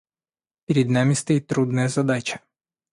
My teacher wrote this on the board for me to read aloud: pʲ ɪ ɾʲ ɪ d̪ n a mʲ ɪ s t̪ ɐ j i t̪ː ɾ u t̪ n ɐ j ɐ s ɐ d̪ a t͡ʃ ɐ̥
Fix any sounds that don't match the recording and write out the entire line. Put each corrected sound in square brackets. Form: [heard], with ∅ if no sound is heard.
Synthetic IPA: pʲ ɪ ɾʲ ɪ d̪ n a mʲ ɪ s t̪ ɐ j i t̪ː ɾ u [d̪] n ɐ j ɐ [z] ɐ d̪ a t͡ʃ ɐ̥